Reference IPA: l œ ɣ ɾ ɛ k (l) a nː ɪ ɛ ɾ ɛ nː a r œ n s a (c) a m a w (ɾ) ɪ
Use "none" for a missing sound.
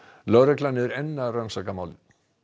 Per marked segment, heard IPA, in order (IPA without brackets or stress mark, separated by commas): l, k, l